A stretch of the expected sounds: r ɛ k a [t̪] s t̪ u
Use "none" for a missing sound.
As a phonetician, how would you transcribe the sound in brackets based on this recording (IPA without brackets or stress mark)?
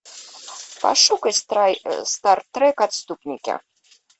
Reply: t̪